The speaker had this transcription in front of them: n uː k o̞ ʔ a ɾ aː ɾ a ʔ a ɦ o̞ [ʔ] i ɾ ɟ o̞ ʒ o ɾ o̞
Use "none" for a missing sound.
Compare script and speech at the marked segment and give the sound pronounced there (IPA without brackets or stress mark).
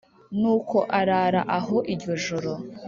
ʔ